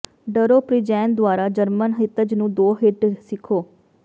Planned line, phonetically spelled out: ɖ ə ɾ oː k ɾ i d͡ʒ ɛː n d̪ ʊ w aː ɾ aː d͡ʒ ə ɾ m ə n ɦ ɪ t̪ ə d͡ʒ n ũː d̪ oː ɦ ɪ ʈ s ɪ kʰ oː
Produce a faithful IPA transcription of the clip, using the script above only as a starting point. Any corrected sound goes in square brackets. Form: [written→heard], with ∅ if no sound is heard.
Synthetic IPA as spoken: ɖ ə ɾ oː [k→p] ɾ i d͡ʒ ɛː n d̪ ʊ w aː ɾ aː d͡ʒ ə ɾ m ə n ɦ ɪ t̪ ə d͡ʒ n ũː d̪ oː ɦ ɪ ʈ s ɪ kʰ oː